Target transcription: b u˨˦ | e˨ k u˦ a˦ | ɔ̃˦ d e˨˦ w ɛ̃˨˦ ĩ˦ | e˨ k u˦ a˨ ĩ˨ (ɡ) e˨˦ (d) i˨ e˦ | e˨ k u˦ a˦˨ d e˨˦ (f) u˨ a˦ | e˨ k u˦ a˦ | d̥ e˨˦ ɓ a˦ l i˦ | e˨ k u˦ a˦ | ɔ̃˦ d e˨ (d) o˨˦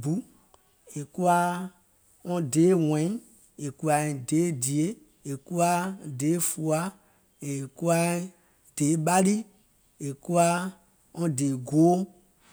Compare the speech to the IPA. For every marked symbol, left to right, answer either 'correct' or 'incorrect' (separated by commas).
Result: incorrect, correct, correct, incorrect